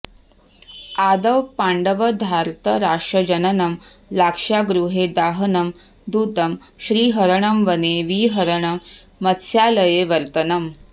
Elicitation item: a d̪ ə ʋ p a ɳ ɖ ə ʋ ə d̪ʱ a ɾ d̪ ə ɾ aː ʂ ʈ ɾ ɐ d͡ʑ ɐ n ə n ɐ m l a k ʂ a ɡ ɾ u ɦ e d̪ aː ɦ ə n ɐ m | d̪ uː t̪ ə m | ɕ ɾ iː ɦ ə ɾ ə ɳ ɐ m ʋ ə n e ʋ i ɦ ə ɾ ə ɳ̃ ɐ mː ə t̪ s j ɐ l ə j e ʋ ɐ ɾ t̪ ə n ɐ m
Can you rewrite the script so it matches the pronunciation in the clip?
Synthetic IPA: a d̪ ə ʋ p a ɳ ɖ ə ʋ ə d̪ʱ a ɾ t̪ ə ɾ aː ʂ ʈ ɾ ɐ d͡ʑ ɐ n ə n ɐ m l a k ʂ a ɡ ɾ u ɦ e d̪ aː ɦ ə n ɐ m | d̪ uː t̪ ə m | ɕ ɾ iː ɦ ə ɾ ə ɳ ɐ m ʋ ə n e ʋ i ɦ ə ɾ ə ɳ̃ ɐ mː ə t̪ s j a l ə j e ʋ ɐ ɾ t̪ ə n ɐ m